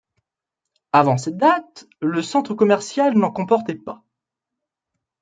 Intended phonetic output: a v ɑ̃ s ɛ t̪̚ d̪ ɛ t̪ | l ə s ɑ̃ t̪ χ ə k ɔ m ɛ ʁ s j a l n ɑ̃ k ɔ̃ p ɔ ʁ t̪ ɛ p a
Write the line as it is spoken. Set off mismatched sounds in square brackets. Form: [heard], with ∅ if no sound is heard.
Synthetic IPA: a v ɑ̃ s ɛ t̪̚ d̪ [a] t̪ | l ə s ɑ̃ t̪ χ ə k ɔ m ɛ ʁ s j a l n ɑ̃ k ɔ̃ p ɔ ʁ t̪ ɛ p a